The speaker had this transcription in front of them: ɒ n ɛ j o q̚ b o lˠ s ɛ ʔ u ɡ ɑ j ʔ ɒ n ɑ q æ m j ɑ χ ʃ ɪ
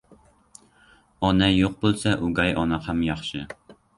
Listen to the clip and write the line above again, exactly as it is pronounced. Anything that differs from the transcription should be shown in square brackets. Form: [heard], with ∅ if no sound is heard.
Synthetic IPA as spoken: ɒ n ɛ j o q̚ b o lˠ s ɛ ʔ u ɡ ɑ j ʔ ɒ n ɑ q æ m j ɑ χ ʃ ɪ